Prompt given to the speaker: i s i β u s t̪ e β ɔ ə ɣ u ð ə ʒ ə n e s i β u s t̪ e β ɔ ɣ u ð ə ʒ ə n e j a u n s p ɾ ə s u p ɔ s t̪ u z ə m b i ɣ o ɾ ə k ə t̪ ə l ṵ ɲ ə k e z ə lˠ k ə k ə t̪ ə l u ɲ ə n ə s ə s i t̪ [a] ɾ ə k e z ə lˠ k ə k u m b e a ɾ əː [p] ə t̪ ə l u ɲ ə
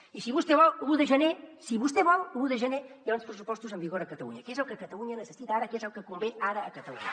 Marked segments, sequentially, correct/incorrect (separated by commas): correct, incorrect